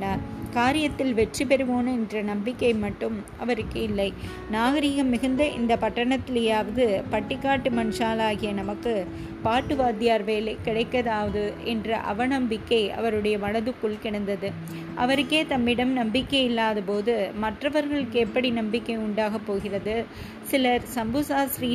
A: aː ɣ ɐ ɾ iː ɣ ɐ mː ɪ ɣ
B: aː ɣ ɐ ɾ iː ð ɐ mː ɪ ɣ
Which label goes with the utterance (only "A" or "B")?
A